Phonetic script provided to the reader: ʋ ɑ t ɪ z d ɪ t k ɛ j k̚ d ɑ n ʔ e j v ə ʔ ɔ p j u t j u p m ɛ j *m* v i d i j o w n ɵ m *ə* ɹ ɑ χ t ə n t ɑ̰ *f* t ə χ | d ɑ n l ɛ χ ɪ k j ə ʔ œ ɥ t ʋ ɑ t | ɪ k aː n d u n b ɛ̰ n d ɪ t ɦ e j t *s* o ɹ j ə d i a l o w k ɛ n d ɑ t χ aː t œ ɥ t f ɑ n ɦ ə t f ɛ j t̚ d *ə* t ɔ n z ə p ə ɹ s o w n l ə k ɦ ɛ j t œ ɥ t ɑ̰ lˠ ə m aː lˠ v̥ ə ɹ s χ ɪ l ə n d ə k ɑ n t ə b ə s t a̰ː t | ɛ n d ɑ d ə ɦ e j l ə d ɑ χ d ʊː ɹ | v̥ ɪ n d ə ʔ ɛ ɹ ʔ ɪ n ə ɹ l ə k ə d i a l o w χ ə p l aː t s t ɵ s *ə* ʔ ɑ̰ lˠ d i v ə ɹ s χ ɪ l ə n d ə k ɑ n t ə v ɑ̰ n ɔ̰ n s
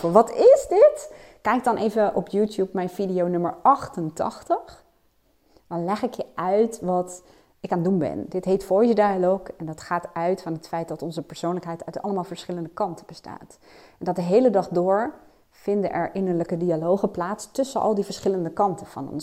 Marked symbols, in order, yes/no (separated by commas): no, yes, no, no, no, yes